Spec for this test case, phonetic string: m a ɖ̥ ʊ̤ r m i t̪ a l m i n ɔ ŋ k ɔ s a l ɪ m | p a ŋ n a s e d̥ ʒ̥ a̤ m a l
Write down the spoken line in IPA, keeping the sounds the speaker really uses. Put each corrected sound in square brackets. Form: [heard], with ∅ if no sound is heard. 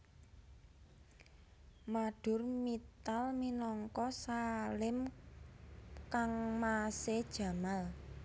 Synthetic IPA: m a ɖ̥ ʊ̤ r m i t̪ a l m i n ɔ ŋ k ɔ s a l ɪ m | [k] a ŋ [m] a s e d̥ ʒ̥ a̤ m a l